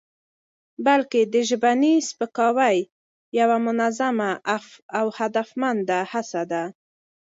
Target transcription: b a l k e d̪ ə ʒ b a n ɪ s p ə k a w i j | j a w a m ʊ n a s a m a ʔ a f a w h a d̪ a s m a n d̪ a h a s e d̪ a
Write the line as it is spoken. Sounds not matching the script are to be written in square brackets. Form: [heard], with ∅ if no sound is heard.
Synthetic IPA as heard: b a l k e d̪ ə ʒ b a n [i] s p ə k [ɑ] w [a] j | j a w a m ʊ n a [z] a m a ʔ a f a w h a d̪ a [f] m a n d̪ a h a s [a] d̪ a